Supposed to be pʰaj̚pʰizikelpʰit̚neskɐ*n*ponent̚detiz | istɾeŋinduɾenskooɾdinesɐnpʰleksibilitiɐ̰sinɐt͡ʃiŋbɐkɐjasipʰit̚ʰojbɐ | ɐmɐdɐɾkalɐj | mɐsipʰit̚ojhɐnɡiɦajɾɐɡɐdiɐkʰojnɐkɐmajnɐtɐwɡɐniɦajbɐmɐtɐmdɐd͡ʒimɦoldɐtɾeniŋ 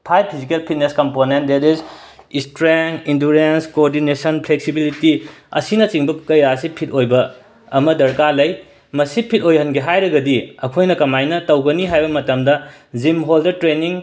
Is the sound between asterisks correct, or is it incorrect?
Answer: incorrect